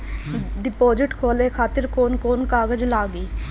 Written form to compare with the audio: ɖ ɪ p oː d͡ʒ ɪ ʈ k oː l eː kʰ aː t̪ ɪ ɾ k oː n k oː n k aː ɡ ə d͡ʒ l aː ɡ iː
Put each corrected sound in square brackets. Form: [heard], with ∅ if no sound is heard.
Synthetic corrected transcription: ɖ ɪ p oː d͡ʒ ɪ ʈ [kʰ] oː l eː kʰ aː t̪ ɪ ɾ k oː n k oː n k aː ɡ ə d͡ʒ l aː ɡ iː